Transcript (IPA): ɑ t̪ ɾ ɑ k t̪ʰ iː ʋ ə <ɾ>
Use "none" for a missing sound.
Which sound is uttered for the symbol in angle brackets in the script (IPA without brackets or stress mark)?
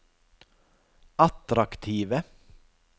none